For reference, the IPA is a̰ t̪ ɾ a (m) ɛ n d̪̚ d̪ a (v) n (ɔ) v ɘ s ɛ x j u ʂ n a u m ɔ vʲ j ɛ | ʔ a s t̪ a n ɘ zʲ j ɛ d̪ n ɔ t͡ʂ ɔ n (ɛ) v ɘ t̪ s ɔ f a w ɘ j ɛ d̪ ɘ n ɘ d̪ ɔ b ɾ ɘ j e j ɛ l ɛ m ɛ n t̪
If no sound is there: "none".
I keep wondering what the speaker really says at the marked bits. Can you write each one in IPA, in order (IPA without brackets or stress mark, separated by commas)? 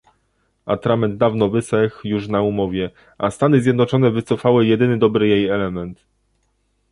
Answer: m, v, ɔ, ɛ